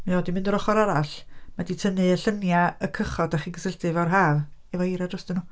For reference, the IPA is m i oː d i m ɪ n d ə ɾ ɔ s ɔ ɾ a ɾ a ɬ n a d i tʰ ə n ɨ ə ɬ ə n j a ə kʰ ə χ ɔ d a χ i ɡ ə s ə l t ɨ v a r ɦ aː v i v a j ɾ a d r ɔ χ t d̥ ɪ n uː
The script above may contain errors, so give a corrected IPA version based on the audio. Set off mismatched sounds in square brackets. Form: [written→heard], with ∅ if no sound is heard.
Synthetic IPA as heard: m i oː d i m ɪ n d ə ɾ ɔ [s→χ] ɔ ɾ a ɾ a ɬ [n→m] a d i tʰ ə n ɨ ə ɬ ə n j a ə kʰ ə χ ɔ d a χ i ɡ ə s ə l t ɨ v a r ɦ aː v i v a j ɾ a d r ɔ [χ→s] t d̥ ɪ n uː